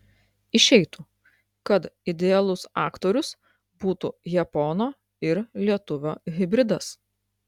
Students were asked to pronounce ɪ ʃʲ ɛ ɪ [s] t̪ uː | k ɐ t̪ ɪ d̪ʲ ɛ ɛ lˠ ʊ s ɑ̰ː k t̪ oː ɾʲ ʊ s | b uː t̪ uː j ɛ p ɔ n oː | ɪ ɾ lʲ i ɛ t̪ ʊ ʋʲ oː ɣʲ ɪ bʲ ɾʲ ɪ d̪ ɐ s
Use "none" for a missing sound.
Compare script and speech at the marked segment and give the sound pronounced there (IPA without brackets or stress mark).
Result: none